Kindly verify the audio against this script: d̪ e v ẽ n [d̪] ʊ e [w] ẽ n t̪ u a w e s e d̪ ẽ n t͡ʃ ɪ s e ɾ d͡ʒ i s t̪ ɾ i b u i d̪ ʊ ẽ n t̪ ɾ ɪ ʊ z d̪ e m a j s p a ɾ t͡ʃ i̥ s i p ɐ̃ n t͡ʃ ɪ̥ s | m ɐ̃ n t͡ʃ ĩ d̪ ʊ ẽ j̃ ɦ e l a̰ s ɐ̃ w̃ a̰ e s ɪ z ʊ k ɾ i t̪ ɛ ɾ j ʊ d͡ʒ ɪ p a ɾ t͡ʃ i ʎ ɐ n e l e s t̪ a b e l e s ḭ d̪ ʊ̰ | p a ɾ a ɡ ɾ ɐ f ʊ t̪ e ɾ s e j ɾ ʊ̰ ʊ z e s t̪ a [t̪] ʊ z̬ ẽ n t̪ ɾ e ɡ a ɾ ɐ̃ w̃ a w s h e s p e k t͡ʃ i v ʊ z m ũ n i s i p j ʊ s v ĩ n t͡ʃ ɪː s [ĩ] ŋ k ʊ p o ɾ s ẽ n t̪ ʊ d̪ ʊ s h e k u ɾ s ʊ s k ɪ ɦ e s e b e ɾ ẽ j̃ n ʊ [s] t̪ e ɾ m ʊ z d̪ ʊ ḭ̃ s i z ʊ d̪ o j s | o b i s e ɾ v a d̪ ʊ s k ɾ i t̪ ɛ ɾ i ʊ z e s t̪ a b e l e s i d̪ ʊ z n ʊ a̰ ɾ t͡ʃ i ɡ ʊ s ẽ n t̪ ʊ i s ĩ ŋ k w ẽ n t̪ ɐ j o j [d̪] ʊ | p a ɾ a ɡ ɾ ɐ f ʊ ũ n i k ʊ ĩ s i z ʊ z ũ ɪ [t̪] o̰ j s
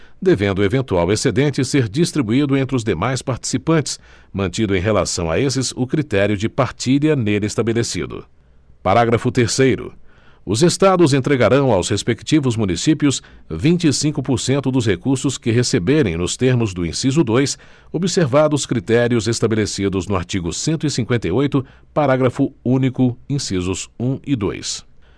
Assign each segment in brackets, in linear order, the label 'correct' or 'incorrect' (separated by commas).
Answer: correct, incorrect, incorrect, correct, correct, incorrect, incorrect